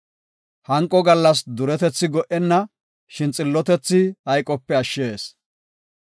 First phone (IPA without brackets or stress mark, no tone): h